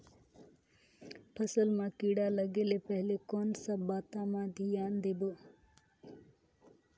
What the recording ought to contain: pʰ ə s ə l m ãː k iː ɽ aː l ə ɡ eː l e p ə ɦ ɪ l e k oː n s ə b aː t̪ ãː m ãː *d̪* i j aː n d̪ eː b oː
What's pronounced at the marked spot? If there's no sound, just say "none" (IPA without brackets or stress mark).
d̪